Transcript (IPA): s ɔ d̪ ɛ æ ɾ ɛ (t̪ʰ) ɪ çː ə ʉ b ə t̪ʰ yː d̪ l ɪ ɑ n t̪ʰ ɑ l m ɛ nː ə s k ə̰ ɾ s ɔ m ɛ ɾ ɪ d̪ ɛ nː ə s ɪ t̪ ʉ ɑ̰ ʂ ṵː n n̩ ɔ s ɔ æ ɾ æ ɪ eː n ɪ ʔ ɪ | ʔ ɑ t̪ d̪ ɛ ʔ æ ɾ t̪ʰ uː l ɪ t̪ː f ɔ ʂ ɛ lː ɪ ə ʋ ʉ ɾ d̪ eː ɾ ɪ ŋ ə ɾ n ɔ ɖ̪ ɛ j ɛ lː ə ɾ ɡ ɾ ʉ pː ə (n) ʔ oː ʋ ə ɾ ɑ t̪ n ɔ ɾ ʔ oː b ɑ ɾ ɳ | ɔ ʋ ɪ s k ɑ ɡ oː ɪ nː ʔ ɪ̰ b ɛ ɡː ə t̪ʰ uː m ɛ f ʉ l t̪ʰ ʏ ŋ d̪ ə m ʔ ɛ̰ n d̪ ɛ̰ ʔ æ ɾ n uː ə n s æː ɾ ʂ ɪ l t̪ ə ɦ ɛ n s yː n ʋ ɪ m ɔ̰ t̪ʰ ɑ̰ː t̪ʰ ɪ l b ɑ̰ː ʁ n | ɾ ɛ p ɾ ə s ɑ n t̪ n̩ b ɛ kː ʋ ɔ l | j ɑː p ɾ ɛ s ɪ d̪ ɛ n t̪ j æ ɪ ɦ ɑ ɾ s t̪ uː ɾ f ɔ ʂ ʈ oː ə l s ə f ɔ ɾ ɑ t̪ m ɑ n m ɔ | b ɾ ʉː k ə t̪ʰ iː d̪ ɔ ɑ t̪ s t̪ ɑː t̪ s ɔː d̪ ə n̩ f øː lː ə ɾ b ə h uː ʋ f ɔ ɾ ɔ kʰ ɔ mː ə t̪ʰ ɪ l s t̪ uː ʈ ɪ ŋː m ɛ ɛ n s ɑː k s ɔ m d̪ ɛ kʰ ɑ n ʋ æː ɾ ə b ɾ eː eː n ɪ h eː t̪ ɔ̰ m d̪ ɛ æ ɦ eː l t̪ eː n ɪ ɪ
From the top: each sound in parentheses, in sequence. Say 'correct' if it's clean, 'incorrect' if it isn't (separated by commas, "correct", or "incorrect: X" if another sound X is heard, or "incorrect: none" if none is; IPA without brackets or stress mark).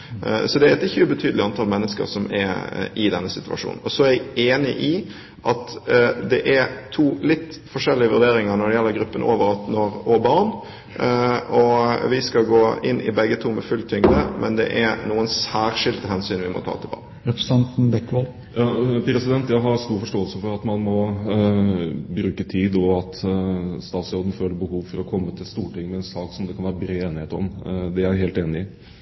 incorrect: t̪, correct